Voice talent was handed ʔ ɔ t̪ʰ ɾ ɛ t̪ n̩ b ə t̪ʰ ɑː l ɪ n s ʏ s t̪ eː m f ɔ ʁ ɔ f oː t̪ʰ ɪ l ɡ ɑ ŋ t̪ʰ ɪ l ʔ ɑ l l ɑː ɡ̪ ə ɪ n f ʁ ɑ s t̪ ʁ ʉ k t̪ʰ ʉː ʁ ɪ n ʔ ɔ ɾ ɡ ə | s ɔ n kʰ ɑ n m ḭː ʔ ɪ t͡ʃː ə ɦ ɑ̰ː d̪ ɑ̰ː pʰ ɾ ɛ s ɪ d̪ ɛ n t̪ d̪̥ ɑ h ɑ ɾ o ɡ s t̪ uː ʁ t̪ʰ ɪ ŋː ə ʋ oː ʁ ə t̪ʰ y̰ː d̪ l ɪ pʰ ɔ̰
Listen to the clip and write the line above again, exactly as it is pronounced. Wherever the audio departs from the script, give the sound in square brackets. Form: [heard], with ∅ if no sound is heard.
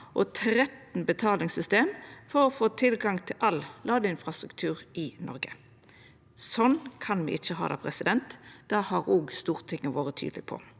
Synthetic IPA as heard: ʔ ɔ t̪ʰ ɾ ɛ t̪ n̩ b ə t̪ʰ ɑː l ɪ [ŋ] s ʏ s t̪ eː m f ɔ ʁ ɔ f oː t̪ʰ ɪ l ɡ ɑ ŋ t̪ʰ ɪ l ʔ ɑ l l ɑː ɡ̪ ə ɪ n f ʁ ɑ s t̪ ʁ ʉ k t̪ʰ ʉː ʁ ɪ n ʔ ɔ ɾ ɡ ə | s ɔ n kʰ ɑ n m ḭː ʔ ɪ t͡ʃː ə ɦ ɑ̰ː d̪ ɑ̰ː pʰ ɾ ɛ s ɪ d̪ ɛ n t̪ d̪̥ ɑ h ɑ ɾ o ɡ s t̪ uː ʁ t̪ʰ ɪ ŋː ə ʋ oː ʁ ə t̪ʰ y̰ː d̪ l ɪ pʰ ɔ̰